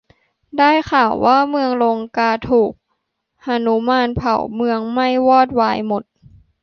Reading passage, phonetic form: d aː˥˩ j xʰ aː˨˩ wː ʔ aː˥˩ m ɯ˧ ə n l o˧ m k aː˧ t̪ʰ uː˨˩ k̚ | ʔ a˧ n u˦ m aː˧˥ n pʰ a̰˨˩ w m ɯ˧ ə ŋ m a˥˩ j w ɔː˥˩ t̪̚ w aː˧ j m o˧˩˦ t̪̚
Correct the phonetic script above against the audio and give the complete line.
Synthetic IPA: d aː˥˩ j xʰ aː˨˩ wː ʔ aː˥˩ m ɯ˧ ə ŋ l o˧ ŋ k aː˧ t̪ʰ uː˨˩ k̚ | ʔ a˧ n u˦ m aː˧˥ n pʰ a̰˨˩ w m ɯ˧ ə ŋ m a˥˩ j w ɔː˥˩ t̪̚ w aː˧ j m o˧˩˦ t̪̚